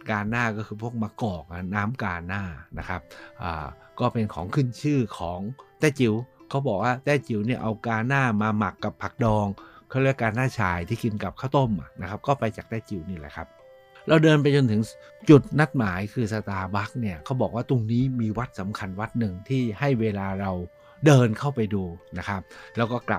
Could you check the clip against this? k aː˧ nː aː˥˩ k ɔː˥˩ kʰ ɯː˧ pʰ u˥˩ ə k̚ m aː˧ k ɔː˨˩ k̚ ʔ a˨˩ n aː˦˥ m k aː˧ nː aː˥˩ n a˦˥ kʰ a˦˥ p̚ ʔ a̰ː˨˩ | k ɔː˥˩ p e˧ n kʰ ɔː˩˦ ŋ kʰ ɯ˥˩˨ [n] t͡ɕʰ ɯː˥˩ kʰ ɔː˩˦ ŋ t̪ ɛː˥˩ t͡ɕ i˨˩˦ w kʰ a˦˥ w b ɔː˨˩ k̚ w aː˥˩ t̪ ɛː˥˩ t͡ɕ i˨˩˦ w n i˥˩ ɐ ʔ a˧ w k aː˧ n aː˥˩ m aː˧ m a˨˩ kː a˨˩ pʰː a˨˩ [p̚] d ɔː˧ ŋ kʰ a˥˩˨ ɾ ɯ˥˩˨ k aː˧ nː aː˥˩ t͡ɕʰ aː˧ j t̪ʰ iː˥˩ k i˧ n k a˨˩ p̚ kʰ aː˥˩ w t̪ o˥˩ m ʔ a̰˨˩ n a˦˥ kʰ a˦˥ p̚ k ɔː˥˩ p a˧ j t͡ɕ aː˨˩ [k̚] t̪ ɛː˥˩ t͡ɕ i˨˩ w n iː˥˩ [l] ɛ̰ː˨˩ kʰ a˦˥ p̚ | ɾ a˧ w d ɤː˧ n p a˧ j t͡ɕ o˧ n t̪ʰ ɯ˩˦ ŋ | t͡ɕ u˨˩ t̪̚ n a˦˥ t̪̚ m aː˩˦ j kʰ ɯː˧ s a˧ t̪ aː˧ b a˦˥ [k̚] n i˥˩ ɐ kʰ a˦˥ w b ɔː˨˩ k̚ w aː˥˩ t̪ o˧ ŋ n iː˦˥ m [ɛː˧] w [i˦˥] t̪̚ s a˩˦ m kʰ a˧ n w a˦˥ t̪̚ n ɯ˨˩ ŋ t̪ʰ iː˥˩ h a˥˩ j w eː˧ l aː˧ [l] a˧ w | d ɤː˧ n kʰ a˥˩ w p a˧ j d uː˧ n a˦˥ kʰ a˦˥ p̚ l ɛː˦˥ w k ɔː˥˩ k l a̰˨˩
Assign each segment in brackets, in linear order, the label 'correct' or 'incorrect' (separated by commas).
correct, incorrect, correct, correct, correct, incorrect, incorrect, incorrect